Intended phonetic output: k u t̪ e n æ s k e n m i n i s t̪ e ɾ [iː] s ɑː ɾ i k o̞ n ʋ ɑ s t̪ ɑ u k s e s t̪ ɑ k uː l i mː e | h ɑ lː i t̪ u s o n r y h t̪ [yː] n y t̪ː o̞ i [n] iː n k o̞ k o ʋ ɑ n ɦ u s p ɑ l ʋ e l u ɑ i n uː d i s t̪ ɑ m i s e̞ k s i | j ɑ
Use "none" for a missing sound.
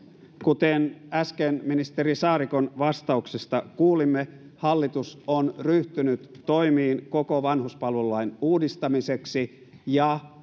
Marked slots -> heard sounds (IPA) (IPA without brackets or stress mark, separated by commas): i, y, m